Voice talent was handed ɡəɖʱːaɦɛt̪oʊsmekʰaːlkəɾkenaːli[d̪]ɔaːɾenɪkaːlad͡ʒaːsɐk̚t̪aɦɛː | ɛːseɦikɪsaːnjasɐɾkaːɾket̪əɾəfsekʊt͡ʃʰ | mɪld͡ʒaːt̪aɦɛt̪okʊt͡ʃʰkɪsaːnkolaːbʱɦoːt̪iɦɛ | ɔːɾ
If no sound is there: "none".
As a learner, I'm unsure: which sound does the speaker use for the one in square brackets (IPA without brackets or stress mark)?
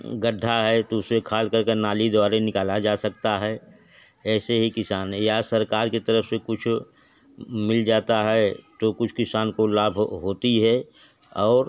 d̪